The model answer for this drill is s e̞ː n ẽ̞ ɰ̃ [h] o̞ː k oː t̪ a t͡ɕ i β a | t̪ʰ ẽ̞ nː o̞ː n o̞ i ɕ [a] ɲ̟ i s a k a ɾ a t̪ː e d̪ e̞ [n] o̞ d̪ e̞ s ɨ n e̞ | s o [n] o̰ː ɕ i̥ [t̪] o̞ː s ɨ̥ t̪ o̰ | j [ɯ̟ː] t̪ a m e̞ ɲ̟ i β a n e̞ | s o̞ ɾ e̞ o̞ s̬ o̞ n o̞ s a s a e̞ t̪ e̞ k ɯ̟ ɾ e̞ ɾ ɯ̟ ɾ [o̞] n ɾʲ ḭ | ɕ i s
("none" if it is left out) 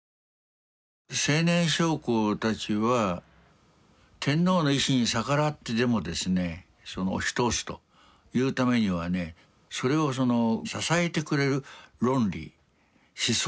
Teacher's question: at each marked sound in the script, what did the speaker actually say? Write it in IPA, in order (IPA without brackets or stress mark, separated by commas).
ɕ, i, m, n, t̪, ɯ̟ː, õ̞